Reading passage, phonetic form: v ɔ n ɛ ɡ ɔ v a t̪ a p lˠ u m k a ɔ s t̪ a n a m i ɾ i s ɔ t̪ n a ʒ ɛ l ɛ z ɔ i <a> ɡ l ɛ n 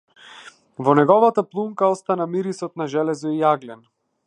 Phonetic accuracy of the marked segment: correct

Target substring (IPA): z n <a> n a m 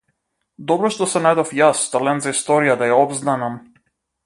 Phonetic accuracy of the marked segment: correct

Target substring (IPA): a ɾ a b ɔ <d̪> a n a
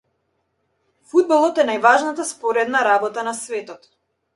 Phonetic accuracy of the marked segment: incorrect: t̪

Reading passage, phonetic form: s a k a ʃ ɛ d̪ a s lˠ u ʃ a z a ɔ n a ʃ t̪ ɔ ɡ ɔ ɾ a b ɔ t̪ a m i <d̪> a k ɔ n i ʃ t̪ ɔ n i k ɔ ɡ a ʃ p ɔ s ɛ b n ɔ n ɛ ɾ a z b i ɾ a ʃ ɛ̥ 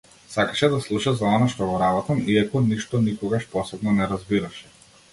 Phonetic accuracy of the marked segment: incorrect: none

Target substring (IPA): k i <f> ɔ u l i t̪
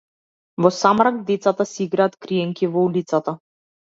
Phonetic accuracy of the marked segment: incorrect: v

